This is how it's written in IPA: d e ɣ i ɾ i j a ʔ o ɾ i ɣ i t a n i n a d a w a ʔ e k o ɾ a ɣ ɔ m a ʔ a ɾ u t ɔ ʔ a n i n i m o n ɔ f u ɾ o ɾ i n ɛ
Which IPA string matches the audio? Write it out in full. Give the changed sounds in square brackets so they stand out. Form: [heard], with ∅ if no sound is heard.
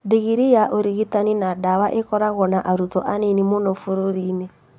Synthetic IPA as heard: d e ɣ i ɾ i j a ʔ o ɾ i ɣ i t a n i n a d a w a ʔ e k [ɔ] ɾ a ɣ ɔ [n] a ʔ a ɾ u t ɔ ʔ a n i n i m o n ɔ f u ɾ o ɾ i n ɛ